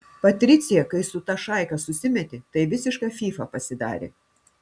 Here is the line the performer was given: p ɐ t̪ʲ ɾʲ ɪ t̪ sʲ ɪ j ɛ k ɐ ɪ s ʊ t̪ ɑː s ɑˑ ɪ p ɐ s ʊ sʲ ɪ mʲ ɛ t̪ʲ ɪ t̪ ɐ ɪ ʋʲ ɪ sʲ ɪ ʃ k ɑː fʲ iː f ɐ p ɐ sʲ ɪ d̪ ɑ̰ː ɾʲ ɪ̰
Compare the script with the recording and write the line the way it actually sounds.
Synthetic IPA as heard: p ɐ t̪ʲ ɾʲ ɪ t̪ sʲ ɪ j ɛ k ɐ ɪ s ʊ t̪ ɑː ʃ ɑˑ ɪ k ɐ s ʊ sʲ ɪ mʲ ɛ t̪ʲ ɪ t̪ ɐ ɪ ʋʲ ɪ sʲ ɪ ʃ k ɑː fʲ iː f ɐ p ɐ sʲ ɪ d̪ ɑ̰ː ɾʲ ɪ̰